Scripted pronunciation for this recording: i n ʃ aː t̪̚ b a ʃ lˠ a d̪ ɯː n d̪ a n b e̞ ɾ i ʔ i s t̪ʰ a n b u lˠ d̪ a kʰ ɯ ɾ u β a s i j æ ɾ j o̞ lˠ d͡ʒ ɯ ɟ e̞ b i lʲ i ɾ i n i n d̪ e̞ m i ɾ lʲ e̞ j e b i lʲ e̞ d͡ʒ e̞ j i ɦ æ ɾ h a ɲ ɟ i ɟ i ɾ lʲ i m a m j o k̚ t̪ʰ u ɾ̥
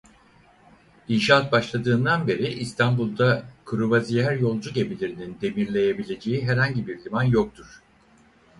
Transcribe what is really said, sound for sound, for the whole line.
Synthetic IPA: i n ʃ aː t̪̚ b a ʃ lˠ a d̪ ɯː n d̪ a n b e̞ ɾ i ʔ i s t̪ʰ a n b u lˠ d̪ a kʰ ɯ ɾ u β a z i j æ ɾ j o̞ lˠ d͡ʒ u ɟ e̞ b i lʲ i ɾ i n i n d̪ e̞ m i ɾ lʲ e̞ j e b i lʲ e̞ d͡ʒ e̞ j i ɦ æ ɾ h a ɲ ɟ i b i ɾ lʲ i m a n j o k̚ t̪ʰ u ɾ̥